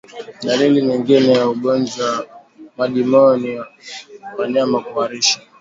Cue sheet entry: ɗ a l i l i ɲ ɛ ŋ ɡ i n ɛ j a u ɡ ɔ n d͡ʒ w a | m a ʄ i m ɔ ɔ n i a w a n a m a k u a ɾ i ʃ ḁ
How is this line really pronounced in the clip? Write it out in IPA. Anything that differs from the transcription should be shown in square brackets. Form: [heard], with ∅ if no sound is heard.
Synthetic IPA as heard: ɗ a l i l i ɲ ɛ ŋ ɡ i n ɛ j a u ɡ ɔ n d͡ʒ w a | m a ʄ i m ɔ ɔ n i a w a [ɲ] a m a k u a ɾ i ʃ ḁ